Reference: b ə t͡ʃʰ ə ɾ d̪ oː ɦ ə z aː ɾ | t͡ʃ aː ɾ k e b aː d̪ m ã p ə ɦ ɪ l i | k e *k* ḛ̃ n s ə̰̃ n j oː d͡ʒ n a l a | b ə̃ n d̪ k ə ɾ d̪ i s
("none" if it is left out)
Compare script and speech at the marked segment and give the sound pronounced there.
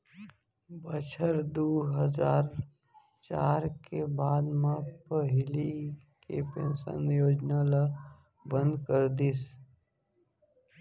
p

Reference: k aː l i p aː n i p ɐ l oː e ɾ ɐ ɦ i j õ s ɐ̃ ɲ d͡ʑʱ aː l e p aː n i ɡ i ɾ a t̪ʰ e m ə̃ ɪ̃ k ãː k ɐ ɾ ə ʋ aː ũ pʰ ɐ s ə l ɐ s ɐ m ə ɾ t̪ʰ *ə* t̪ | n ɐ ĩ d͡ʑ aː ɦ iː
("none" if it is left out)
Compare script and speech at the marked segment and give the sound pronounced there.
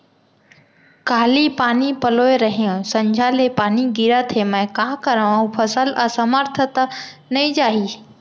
ə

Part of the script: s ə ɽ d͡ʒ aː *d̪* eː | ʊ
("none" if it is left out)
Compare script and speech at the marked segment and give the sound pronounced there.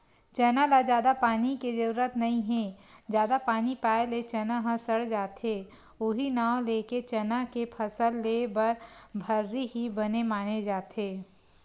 t̪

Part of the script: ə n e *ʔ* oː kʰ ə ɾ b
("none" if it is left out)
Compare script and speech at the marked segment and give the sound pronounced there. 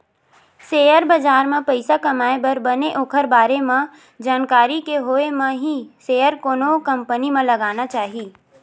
ʔ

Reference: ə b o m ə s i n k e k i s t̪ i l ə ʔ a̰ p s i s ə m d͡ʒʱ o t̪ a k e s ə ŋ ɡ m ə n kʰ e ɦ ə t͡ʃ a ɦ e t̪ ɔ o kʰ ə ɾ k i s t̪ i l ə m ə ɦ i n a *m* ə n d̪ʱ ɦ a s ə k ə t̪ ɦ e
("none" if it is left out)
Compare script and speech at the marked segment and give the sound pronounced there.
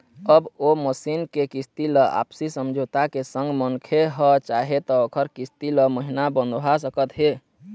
b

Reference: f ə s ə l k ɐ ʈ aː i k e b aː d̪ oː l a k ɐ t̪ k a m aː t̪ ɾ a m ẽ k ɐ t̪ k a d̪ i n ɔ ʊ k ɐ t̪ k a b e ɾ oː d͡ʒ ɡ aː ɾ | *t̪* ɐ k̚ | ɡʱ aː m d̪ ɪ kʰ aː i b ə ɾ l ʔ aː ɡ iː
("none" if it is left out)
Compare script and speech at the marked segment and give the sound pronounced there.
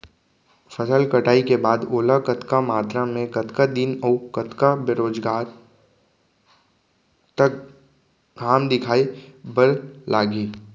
t̪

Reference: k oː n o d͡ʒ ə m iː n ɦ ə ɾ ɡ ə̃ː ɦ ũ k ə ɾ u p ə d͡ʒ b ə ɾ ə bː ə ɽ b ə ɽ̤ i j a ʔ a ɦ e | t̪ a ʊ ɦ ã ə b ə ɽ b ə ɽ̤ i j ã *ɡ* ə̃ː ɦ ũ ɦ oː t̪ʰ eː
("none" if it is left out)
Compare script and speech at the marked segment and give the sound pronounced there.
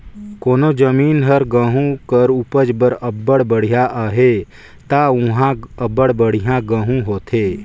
ɡ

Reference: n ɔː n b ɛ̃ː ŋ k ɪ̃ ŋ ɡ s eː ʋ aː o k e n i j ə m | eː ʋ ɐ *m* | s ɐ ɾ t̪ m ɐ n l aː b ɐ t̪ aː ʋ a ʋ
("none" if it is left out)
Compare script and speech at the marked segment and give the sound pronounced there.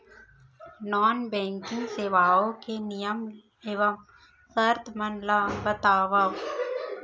m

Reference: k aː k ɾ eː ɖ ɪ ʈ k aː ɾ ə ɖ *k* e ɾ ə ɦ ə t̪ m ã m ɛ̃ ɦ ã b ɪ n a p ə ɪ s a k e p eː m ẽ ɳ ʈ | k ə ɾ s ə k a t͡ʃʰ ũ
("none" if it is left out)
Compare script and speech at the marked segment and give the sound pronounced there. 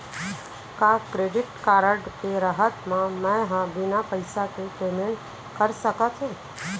k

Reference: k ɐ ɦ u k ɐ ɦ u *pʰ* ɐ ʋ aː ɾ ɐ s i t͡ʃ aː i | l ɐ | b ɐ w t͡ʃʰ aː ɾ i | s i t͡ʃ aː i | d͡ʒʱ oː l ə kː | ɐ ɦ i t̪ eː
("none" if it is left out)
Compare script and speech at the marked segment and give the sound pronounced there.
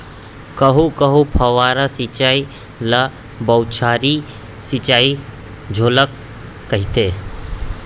pʰ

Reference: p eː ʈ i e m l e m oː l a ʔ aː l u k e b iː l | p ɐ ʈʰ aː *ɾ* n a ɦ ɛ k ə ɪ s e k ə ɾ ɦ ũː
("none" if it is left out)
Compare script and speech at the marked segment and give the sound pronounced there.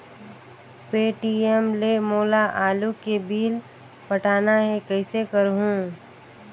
none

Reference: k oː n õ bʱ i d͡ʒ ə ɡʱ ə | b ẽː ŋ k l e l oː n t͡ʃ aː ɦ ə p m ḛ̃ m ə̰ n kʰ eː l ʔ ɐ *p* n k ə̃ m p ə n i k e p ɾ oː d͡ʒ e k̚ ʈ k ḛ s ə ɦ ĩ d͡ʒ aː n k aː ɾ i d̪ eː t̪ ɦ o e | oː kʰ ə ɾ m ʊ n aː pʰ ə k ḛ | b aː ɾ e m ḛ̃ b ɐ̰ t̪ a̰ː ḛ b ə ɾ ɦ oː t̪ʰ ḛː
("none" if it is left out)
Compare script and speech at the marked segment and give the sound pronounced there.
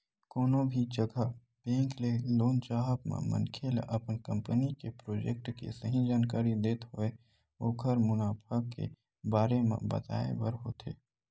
p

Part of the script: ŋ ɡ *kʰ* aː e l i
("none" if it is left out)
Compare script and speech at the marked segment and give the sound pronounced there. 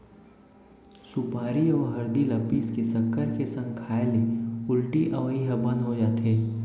kʰ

